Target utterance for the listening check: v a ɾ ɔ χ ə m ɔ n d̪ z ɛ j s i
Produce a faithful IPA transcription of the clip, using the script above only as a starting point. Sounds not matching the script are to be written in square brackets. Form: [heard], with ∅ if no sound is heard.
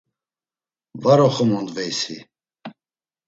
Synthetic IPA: v a ɾ ɔ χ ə m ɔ n d̪ [v] ɛ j s i